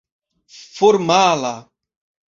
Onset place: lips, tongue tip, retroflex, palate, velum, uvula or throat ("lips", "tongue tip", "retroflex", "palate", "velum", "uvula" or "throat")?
lips